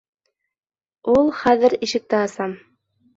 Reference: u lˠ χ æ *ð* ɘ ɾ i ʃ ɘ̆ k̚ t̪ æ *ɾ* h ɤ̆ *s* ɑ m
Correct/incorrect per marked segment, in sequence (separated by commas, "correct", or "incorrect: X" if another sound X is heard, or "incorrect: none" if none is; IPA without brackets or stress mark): correct, incorrect: none, correct